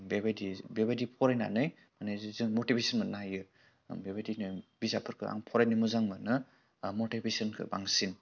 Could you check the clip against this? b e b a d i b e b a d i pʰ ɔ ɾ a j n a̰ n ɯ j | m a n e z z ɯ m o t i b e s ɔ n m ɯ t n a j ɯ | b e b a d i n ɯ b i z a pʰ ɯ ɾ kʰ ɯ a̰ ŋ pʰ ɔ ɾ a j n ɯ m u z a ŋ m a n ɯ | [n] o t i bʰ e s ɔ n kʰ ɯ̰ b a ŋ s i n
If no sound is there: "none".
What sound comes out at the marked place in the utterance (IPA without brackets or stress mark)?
m